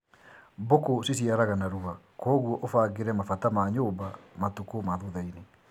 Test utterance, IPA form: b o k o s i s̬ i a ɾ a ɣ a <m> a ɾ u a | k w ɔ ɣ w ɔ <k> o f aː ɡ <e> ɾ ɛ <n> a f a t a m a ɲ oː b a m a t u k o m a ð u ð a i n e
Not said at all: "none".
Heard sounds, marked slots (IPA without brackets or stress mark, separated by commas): n, ʔ, e, m